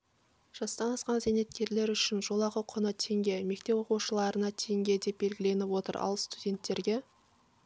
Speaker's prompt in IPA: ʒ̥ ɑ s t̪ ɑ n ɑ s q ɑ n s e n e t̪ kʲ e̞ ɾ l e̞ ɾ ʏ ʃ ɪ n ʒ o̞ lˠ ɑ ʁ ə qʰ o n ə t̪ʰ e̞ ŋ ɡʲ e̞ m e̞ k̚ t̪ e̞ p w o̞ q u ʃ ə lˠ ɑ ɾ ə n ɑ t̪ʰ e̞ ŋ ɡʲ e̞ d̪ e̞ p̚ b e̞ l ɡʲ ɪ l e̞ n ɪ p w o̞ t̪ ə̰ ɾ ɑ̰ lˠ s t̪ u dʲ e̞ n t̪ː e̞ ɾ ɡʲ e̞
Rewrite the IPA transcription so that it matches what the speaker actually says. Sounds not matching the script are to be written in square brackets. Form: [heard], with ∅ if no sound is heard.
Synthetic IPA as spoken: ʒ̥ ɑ s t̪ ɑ n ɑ s q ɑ n [z] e n e t̪ kʲ e̞ ɾ l e̞ ɾ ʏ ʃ ɪ n ʒ o̞ lˠ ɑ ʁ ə qʰ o n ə t̪ʰ e̞ ŋ ɡʲ e̞ m e̞ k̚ t̪ e̞ p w o̞ q u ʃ ə lˠ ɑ ɾ ə n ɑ t̪ʰ e̞ ŋ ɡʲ e̞ d̪ e̞ p̚ b e̞ l ɡʲ ɪ l e̞ n ɪ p w o̞ t̪ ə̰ ɾ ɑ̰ lˠ s t̪ u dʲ e̞ n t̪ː e̞ ɾ ɡʲ e̞